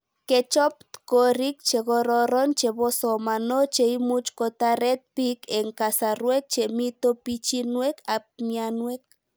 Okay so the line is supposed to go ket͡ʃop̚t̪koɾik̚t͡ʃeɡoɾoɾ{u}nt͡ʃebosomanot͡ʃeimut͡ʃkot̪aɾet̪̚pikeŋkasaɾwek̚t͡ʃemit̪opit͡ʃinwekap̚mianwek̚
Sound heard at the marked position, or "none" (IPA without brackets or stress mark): o